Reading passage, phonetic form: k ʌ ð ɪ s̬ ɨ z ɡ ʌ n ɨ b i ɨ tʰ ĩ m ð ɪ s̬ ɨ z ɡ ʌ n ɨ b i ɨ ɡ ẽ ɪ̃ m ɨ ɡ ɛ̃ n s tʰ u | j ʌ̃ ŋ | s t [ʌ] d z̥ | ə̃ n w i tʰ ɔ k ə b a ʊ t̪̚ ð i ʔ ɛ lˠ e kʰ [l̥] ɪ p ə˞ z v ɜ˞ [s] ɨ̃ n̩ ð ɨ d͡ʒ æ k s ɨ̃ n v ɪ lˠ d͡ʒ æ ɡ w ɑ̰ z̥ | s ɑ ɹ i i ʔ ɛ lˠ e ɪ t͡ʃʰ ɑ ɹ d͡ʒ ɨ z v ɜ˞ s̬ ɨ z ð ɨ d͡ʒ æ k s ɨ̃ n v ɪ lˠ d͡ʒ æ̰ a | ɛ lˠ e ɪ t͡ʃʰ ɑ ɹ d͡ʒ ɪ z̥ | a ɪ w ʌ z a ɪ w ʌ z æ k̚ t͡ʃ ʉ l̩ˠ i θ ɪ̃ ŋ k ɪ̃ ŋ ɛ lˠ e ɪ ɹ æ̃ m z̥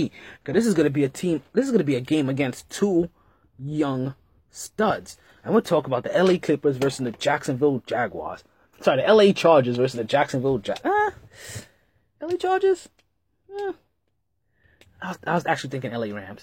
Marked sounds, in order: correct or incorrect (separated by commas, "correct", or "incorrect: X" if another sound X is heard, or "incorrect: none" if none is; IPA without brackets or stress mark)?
correct, correct, correct